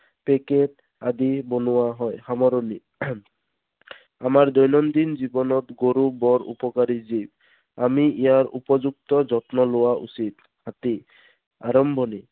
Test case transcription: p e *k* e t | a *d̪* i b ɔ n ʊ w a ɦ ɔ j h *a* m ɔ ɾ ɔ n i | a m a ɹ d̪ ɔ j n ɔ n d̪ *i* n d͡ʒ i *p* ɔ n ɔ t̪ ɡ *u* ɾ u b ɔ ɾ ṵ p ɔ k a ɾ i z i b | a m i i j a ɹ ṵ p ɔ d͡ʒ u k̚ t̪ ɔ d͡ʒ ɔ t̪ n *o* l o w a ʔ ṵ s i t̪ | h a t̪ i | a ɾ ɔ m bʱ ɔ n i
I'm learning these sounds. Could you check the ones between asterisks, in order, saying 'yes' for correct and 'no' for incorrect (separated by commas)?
yes, yes, yes, yes, no, no, no